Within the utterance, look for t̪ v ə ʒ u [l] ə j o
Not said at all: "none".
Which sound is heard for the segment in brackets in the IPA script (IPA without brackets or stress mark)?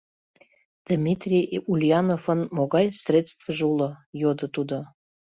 l